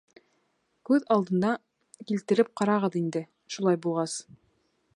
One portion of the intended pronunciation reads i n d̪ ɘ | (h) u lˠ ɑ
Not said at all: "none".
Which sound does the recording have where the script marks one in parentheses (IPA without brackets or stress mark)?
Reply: ʃ